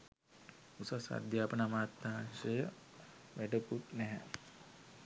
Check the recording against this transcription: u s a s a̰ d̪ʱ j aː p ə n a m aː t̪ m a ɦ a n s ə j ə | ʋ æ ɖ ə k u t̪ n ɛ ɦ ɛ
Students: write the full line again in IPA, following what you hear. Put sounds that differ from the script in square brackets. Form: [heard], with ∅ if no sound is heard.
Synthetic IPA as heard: u s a s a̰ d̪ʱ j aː p ə n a m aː t̪ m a ɦ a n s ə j ə | ʋ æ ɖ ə k u t̪ n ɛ ɦ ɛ